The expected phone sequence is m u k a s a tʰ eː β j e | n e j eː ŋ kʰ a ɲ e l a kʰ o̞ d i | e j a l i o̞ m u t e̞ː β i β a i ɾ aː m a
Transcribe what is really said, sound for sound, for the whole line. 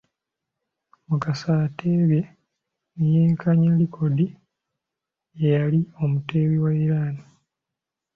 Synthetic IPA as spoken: m u k a s a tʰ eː β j e | n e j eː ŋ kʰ a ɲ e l i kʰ o̞ d i | e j a l i o̞ m u t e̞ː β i w a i ɾ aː n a